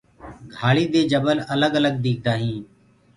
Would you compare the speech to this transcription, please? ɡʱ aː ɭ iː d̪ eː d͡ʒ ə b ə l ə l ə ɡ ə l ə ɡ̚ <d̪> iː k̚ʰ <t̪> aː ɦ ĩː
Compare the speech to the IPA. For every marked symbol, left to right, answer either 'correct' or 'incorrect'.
correct, incorrect

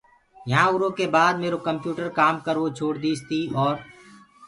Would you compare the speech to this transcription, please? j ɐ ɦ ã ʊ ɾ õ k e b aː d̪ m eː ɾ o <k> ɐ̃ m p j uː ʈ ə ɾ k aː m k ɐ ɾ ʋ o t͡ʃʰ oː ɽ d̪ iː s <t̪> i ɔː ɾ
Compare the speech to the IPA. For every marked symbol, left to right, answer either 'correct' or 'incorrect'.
correct, correct

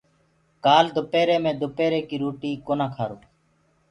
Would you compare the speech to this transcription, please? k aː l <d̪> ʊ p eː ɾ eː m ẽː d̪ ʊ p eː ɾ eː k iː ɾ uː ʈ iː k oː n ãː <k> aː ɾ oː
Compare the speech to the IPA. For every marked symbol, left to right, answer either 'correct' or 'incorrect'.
correct, incorrect

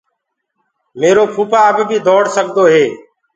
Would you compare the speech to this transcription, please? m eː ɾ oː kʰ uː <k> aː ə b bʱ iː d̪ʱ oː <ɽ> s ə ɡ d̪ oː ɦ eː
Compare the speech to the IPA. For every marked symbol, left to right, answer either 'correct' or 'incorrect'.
incorrect, correct

